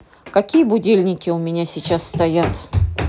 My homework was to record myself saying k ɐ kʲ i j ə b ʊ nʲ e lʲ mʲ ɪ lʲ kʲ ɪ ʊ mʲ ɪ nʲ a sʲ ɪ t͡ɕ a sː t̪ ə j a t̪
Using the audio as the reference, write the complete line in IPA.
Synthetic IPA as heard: k ɐ kʲ i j ə b ʊ dʲ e lʲ nʲ ɪ kʲ ɪ ʊ mʲ ɪ nʲ a sʲ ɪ t͡ɕ a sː t̪ ɐ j a t̪